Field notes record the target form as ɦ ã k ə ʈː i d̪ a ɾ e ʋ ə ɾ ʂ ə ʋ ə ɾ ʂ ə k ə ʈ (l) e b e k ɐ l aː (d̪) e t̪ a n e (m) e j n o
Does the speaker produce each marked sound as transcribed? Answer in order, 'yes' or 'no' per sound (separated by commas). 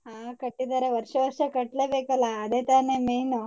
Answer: yes, yes, yes